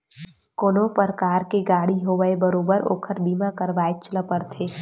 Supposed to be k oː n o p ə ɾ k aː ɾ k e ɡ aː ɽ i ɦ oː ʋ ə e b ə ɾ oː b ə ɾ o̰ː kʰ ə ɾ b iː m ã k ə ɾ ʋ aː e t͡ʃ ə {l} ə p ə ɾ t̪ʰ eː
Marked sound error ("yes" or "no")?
no